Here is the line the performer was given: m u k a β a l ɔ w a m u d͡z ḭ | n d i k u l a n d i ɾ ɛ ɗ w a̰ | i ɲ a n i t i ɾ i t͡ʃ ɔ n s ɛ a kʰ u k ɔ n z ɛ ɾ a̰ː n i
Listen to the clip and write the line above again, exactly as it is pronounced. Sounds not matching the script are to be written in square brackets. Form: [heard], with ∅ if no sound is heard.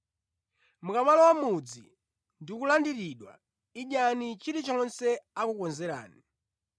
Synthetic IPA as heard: m u k a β a l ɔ w a m u d͡z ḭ | n d i k u l a n d i ɾ [i] ɗ w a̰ | i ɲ a n i [t͡ʃ] i ɾ i t͡ʃ ɔ n s ɛ a [k] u k ɔ n z ɛ ɾ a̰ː n i